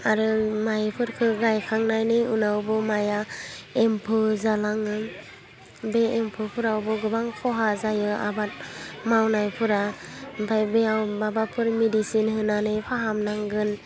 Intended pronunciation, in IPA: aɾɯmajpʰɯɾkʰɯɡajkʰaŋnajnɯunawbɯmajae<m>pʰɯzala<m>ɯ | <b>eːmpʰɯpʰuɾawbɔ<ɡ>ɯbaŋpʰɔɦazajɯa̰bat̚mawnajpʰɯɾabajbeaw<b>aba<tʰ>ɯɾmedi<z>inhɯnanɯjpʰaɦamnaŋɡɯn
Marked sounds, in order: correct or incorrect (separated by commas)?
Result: correct, incorrect, correct, correct, correct, incorrect, incorrect